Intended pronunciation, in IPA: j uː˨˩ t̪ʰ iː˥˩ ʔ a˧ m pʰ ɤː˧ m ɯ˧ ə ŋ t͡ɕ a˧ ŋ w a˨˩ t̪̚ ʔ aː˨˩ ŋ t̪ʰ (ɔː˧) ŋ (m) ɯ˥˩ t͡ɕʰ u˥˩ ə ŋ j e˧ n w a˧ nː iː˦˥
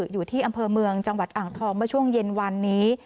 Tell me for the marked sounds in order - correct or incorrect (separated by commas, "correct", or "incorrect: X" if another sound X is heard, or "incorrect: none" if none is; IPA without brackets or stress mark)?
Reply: correct, correct